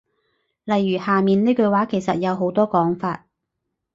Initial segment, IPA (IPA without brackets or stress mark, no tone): l